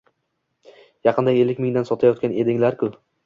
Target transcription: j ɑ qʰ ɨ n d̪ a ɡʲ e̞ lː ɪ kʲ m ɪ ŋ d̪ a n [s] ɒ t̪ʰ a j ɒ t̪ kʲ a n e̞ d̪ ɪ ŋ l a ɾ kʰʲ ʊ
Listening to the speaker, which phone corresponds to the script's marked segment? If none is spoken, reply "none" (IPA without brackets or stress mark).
s